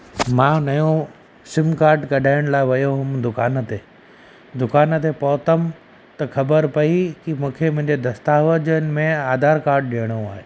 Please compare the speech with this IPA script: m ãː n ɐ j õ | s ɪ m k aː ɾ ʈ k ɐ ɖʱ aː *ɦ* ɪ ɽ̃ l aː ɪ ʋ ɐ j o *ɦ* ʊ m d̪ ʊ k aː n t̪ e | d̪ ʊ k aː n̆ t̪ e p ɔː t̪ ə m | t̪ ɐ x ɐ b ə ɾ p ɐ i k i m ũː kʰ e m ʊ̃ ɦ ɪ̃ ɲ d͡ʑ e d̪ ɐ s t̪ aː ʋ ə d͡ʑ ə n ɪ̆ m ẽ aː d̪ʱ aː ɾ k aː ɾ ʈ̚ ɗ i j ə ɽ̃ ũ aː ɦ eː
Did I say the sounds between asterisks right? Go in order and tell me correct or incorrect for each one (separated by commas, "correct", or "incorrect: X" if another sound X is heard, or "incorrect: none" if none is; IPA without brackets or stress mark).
incorrect: none, correct